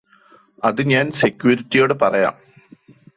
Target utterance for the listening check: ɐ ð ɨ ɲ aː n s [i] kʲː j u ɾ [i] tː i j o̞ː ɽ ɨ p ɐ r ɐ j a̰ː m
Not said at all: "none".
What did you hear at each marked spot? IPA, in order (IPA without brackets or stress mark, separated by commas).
e, i